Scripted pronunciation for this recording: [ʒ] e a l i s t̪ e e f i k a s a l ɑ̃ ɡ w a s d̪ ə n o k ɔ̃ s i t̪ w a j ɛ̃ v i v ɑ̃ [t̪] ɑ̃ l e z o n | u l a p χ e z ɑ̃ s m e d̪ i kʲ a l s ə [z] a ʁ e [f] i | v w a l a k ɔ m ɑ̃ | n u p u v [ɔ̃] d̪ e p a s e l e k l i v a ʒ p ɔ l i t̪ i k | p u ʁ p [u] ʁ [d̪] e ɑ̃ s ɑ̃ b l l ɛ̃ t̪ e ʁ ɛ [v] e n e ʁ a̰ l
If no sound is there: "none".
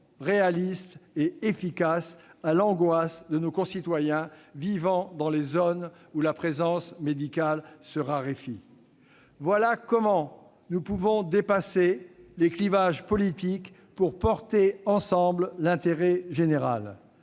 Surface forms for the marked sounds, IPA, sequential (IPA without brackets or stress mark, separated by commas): ʁ, d̪, ʁ, f, ɔ̃, ɔ, t̪, ʒ